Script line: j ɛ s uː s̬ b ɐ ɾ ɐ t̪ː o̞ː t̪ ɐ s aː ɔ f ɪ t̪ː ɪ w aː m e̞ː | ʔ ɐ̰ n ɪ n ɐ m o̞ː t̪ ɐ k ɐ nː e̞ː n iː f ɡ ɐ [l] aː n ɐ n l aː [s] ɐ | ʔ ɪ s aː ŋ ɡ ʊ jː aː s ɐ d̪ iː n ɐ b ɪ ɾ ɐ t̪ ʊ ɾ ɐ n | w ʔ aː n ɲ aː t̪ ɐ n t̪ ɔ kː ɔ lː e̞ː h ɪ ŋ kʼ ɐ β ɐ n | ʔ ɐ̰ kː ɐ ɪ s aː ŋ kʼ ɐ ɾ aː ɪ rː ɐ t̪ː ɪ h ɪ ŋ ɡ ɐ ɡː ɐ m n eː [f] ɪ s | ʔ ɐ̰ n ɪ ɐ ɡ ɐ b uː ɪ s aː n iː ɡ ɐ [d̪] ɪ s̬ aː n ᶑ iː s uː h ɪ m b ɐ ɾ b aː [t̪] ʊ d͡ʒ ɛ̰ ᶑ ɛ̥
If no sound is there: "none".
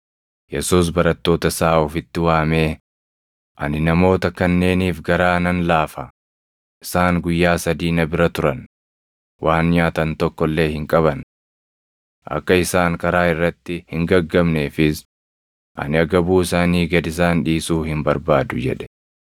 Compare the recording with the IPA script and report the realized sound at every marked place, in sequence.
ɾ, f, f, d̪, d̪

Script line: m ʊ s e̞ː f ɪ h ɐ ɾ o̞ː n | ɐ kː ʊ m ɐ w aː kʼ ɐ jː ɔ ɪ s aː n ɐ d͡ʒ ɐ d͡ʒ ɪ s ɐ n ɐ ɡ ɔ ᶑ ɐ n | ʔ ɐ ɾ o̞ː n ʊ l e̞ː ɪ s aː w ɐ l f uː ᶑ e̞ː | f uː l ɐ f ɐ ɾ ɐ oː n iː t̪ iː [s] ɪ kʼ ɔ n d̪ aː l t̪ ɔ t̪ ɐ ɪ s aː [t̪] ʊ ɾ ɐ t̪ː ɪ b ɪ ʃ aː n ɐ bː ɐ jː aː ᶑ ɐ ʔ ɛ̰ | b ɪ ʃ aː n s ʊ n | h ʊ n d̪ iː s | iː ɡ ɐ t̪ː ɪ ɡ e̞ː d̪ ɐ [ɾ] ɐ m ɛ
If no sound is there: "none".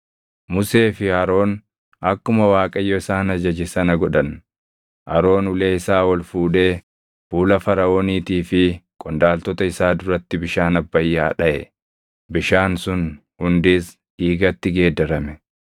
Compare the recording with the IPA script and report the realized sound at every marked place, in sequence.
f, d̪, ɾ

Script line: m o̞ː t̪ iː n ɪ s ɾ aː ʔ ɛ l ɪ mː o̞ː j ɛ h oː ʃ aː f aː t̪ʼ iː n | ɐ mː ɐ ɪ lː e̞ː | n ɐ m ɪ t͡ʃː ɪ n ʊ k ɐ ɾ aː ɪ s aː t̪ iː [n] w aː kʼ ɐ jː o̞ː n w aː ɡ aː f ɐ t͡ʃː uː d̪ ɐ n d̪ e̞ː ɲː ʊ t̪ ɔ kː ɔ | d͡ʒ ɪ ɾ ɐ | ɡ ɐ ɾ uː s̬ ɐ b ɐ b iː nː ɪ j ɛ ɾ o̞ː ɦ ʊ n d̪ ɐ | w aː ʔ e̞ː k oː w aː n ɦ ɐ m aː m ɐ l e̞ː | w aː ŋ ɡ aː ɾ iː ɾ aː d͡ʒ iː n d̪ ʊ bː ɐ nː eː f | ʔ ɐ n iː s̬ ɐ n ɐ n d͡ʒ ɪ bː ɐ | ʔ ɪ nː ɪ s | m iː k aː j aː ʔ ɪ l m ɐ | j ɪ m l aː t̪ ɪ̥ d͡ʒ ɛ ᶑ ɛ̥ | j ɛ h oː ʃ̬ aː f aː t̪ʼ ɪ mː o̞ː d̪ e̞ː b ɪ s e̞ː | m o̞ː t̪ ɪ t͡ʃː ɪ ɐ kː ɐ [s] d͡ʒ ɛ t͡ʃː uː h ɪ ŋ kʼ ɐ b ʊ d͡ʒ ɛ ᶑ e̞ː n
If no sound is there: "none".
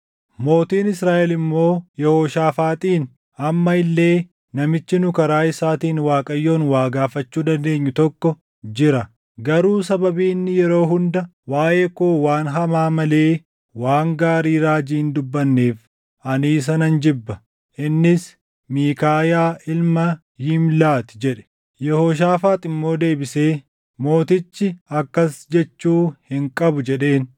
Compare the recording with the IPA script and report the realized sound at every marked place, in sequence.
n, s

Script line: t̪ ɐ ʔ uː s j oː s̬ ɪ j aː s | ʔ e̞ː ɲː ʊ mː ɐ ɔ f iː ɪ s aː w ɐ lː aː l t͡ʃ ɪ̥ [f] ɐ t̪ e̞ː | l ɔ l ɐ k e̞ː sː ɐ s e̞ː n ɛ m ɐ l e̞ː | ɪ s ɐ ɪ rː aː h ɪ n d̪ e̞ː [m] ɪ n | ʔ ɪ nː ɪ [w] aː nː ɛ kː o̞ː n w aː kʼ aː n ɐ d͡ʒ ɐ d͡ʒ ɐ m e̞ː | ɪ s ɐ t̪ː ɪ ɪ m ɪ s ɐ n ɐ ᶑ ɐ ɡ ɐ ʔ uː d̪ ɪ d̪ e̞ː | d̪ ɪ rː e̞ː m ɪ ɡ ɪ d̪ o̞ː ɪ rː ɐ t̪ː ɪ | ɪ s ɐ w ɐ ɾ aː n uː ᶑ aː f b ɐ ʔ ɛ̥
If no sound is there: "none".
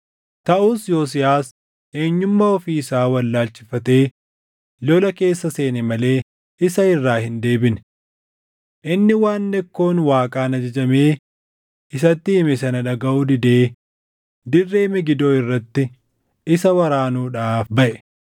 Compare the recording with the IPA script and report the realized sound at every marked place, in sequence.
f, b, w

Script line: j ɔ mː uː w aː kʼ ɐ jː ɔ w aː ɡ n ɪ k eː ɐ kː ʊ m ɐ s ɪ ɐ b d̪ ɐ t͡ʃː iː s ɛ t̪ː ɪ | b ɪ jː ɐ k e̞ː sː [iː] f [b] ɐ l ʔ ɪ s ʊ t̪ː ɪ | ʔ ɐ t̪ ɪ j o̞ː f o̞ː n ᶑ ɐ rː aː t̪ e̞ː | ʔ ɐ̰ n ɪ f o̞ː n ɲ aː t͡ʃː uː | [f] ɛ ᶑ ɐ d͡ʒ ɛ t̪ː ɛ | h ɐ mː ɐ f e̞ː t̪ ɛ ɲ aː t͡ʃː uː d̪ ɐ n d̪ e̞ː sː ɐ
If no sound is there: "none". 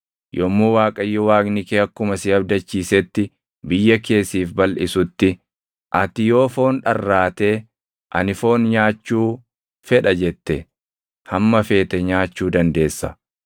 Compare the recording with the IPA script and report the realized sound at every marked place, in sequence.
iː, b, f

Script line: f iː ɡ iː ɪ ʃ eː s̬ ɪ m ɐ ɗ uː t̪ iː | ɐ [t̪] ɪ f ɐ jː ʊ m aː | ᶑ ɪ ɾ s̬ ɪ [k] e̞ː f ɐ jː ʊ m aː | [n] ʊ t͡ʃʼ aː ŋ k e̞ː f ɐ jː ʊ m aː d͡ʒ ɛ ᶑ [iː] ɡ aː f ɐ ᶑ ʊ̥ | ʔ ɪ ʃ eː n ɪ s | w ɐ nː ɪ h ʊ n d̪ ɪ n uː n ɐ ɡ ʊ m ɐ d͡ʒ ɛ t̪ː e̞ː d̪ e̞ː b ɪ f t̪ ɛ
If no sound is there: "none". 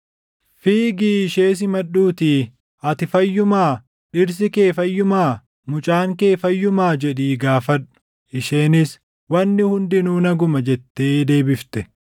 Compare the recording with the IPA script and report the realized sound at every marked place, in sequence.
t̪, k, m, iː

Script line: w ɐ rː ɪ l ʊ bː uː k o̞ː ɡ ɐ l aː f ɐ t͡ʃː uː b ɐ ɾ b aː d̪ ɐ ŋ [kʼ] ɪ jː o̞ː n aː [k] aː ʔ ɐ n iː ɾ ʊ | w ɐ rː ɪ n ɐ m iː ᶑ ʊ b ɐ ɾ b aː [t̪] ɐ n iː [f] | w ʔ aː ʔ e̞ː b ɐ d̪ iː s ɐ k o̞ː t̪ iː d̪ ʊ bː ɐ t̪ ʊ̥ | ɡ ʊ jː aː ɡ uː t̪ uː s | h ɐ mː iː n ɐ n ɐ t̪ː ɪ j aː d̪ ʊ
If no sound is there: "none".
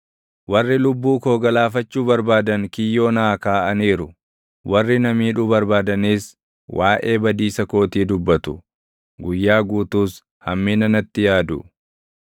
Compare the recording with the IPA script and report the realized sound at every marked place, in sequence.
k, k, d̪, s

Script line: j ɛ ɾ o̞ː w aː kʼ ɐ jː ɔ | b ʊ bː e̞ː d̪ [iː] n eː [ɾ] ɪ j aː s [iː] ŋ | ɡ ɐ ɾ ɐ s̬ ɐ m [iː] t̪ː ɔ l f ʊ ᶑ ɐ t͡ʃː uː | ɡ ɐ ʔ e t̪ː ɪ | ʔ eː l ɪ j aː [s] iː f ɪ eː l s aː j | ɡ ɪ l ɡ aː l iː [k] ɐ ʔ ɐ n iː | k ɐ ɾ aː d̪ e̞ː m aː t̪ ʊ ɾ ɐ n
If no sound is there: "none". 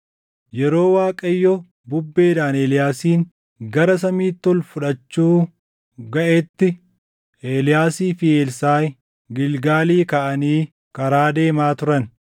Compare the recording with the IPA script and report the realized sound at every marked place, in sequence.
aː, l, iː, iː, s, k

